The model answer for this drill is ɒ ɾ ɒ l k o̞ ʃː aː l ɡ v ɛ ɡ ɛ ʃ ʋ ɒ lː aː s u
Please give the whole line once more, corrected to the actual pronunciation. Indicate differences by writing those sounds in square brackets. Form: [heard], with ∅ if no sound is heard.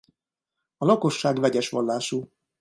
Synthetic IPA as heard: ɒ [l] ɒ [∅] k o̞ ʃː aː [∅] ɡ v ɛ [ɟ] ɛ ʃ ʋ ɒ lː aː [ʃ] u